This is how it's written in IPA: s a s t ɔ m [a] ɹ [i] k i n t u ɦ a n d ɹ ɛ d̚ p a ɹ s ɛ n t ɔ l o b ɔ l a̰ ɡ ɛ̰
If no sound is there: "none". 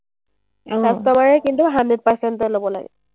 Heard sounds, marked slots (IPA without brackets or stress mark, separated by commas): a, ɛ